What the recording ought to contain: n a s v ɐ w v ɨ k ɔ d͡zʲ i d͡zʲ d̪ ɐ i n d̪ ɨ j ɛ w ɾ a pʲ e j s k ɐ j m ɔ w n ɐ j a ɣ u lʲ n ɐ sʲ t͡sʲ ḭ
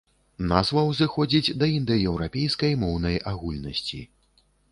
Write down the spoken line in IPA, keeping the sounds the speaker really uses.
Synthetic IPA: n a z v ɐ w z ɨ x ɔ d͡zʲ i d͡zʲ d̪ ɐ i n d̪ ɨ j ɛ w ɾ a pʲ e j s k ɐ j m ɔ w n ɐ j a ɣ u lʲ n ɐ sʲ t͡sʲ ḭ